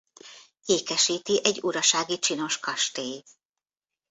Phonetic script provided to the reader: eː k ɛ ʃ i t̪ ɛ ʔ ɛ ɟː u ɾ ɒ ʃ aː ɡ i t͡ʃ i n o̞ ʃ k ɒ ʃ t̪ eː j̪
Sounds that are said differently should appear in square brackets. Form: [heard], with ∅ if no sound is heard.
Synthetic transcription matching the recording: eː k ɛ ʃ [iː] t̪ [i] ʔ ɛ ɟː u ɾ ɒ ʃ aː ɡ i t͡ʃ i n o̞ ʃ k ɒ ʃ t̪ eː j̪